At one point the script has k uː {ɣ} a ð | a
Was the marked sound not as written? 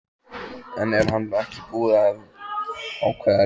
yes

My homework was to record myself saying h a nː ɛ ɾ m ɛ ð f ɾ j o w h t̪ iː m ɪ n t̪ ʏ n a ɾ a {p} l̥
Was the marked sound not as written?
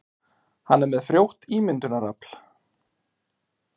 no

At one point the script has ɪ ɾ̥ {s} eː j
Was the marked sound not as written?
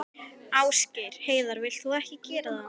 yes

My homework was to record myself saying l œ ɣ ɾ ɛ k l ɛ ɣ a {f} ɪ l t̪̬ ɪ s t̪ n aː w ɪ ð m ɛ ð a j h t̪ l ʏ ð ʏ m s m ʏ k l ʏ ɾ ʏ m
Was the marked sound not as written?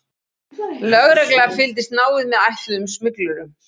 no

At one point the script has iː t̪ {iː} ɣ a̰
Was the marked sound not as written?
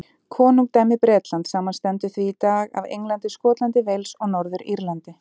yes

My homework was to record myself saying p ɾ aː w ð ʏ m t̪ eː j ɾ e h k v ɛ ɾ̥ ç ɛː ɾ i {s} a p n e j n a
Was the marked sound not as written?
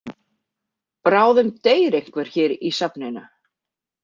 no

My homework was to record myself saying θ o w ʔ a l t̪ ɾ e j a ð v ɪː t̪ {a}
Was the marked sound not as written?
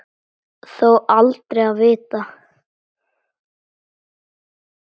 no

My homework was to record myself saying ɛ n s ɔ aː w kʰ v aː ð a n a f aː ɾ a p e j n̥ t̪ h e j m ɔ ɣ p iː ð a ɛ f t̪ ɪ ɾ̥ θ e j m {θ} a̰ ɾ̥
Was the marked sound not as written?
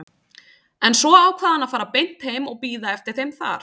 no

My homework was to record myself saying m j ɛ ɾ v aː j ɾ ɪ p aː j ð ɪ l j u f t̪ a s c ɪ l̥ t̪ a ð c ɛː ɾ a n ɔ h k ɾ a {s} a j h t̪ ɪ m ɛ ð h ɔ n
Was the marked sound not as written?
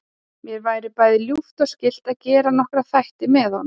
yes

